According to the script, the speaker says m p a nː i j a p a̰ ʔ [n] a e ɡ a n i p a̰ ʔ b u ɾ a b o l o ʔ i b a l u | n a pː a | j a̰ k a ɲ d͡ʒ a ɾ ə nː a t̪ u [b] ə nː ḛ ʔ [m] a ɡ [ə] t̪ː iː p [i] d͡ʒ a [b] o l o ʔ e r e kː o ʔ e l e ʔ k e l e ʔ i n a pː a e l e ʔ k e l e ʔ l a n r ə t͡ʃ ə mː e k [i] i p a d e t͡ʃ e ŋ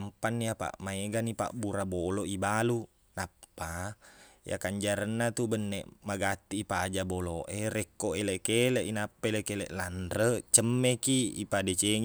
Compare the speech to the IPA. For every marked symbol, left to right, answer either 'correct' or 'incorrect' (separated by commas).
incorrect, correct, correct, incorrect, incorrect, correct, correct